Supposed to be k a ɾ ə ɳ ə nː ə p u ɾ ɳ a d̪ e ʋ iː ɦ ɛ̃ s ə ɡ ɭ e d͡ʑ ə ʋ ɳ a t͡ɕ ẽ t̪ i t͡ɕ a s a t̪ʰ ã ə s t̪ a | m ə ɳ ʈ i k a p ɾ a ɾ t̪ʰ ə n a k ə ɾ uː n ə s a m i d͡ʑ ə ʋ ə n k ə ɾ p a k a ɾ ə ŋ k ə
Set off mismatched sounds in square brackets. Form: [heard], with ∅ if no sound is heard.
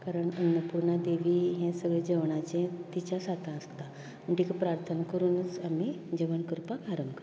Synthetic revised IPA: k a ɾ ə ɳ ə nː ə p u ɾ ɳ a d̪ e ʋ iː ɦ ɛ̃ s ə ɡ ɭ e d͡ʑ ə ʋ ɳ a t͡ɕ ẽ t̪ i t͡ɕ a s a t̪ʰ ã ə s t̪ a | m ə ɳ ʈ i k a p ɾ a ɾ t̪ʰ ə n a k ə ɾ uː n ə [t͡s] a m i d͡ʑ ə ʋ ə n k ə ɾ p a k a ɾ ə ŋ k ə